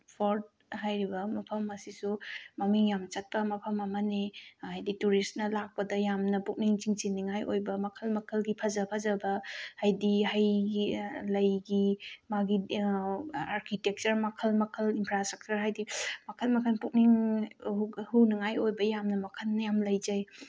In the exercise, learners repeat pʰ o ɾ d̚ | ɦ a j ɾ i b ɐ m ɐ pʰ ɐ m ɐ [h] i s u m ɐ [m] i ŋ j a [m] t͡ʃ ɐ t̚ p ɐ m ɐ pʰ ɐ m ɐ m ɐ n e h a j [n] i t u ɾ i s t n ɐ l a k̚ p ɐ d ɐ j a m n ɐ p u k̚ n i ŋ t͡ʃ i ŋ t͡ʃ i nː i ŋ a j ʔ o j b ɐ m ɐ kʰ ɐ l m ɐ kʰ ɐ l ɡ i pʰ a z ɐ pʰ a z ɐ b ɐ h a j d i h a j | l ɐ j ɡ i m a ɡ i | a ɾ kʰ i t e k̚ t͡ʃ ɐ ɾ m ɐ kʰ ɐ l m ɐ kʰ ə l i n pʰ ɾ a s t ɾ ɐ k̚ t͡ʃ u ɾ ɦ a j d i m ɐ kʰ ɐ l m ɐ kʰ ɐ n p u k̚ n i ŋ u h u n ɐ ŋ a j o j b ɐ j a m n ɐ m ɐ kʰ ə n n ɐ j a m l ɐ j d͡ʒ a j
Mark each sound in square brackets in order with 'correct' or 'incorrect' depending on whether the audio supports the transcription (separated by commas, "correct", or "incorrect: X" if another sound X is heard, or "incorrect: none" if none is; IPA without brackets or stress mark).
incorrect: s, correct, correct, incorrect: d